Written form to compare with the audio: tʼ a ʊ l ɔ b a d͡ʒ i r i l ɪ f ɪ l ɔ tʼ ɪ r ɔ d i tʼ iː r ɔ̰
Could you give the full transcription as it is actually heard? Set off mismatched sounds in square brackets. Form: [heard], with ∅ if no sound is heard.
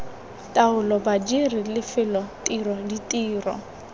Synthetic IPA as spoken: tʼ a ʊ l ɔ b a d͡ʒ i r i l ɪ f ɪ l ɔ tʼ [i] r ɔ d i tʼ iː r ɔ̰